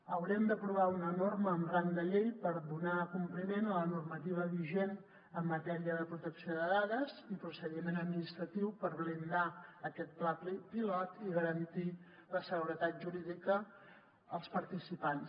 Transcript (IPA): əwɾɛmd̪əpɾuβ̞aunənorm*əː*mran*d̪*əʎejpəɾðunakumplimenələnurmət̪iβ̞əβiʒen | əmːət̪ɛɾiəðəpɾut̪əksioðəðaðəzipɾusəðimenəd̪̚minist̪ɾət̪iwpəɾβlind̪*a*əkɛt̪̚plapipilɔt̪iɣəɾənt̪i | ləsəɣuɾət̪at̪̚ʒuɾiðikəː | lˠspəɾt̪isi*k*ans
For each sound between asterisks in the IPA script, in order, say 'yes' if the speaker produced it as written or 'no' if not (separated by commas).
yes, yes, yes, no